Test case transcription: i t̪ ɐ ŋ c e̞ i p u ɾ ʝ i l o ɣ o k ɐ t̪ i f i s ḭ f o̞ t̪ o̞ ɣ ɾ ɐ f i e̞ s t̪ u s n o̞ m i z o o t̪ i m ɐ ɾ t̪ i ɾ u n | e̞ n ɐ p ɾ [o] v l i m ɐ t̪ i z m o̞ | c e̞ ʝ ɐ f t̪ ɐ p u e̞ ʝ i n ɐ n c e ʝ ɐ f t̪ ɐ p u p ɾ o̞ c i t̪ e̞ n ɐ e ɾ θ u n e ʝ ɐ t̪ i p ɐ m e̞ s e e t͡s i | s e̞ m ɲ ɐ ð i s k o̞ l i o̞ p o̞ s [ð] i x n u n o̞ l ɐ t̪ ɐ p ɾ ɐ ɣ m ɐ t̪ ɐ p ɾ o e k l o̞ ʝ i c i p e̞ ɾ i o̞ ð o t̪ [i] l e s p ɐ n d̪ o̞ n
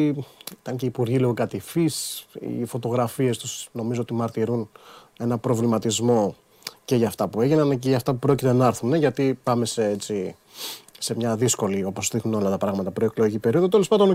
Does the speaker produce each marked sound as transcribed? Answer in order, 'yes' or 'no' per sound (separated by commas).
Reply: yes, yes, no